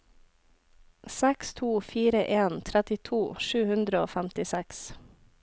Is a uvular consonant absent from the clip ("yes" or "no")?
yes